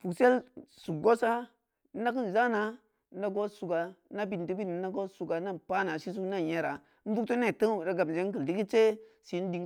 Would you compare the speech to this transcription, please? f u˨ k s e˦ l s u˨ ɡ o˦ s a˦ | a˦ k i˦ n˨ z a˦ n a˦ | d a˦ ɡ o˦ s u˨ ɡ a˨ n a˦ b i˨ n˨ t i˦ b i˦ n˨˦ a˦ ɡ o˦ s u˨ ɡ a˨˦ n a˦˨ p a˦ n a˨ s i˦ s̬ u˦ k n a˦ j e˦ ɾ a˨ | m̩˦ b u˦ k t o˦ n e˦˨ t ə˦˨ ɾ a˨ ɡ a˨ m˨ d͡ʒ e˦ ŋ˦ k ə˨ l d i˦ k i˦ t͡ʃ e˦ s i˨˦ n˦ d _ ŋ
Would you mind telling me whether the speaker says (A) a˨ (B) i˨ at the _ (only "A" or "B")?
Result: B